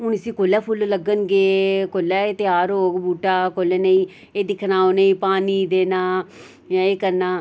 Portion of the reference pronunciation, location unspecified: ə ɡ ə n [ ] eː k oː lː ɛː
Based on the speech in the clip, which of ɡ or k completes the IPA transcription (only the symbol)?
ɡ